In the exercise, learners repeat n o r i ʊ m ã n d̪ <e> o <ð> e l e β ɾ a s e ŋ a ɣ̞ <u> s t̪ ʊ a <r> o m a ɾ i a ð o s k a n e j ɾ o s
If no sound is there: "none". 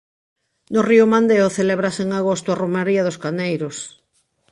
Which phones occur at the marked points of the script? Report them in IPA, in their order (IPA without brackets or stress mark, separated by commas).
e, θ, o, r